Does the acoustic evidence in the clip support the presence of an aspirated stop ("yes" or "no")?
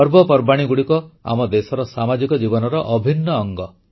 no